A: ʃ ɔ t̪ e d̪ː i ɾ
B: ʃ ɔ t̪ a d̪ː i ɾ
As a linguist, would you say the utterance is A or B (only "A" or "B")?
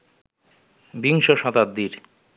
B